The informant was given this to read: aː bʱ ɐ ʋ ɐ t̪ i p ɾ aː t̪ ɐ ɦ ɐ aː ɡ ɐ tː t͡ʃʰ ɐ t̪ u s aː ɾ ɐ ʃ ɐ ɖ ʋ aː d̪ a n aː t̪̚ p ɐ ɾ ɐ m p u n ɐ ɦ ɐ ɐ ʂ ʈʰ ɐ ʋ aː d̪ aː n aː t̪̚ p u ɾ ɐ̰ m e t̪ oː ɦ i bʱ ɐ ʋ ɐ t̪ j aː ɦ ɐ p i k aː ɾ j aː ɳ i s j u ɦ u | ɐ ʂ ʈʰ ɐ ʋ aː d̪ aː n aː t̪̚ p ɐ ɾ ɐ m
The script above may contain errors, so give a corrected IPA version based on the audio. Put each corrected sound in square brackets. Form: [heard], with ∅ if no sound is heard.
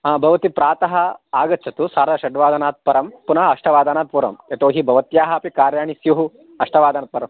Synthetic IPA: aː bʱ ɐ ʋ ɐ t̪ i p ɾ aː t̪ ɐ ɦ ɐ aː ɡ ɐ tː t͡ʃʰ ɐ t̪ u s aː ɾ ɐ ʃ ɐ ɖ ʋ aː d̪ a n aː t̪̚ p ɐ ɾ ɐ m p u n ɐ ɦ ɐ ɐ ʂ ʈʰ ɐ ʋ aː d̪ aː n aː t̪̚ p u ɾ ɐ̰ m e t̪ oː ɦ i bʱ ɐ ʋ ɐ t̪ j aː ɦ ɐ p i k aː ɾ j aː ɳ i s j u ɦ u | ɐ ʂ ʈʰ ɐ ʋ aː d̪ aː n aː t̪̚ p ɐ ɾ ɐ m